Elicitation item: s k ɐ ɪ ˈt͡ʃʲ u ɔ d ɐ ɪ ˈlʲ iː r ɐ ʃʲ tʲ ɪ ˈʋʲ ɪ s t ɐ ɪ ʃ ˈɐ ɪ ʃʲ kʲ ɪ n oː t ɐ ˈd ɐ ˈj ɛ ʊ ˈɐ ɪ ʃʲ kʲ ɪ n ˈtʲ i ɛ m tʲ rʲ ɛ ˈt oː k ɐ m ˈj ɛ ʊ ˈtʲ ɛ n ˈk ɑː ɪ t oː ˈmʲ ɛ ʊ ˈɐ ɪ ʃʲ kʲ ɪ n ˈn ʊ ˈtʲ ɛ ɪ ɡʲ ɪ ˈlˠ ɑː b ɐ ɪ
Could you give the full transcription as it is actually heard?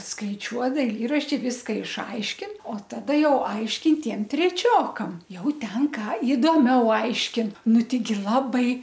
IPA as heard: s k ɐ ɪ ˈt͡ʃʲ u ɔ d ɐ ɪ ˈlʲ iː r ɐ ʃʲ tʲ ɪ ˈʋʲ ɪ s k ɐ ɪ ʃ ˈɐ ɪ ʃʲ kʲ ɪ n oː t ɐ ˈd ɐ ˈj ɛ ʊ ˈɐ ɪ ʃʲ kʲ ɪ n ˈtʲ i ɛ m tʲ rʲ ɛ ˈt͡ʃʲ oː k ɐ m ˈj ɛ ʊ ˈtʲ ɛ n ˈk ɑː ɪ d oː ˈmʲ ɛ ʊ ˈɐ ɪ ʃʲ kʲ ɪ n ˈn ʊ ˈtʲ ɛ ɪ ɡʲ ɪ ˈlˠ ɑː b ɐ ɪ